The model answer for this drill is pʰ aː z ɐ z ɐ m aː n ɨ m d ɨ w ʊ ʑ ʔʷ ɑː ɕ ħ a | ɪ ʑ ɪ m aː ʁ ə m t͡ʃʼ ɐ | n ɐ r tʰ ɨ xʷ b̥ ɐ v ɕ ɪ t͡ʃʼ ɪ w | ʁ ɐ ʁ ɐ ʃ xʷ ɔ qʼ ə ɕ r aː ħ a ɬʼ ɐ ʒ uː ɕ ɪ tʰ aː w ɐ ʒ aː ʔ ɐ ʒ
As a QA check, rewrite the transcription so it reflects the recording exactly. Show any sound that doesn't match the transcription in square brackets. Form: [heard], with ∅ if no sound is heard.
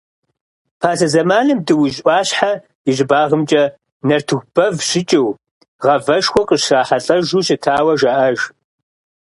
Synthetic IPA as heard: pʰ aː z ɐ z ɐ m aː n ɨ m d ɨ w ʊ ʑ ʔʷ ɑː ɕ ħ a | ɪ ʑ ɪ [b] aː ʁ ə m t͡ʃʼ ɐ | n ɐ r tʰ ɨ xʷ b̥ ɐ v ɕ ɪ t͡ʃʼ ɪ w | ʁ ɐ [v] ɐ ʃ xʷ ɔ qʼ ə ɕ r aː ħ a ɬʼ ɐ ʒ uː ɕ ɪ tʰ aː w ɐ ʒ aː ʔ ɐ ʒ